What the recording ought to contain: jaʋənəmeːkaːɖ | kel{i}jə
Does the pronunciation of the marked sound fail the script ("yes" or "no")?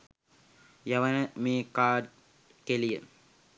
no